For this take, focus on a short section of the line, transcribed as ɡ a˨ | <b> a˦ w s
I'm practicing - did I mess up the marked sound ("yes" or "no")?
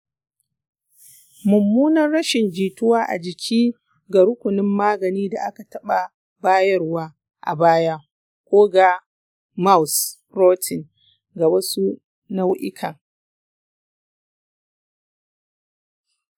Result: yes